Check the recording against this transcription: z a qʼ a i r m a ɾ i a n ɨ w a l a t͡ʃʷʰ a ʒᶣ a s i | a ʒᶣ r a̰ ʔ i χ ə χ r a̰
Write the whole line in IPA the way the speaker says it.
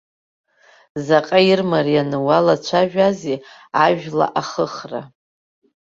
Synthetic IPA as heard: z a qʼ a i r m a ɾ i a n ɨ w a l a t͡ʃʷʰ a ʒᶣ a z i | a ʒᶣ l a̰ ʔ a χ ə χ r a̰